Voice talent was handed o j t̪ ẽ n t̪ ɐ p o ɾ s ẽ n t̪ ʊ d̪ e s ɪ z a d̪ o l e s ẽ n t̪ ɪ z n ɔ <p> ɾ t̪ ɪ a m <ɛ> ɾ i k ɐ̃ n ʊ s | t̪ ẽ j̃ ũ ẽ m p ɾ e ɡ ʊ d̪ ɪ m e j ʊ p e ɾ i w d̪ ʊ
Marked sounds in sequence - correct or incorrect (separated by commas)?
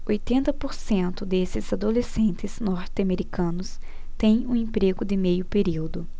incorrect, incorrect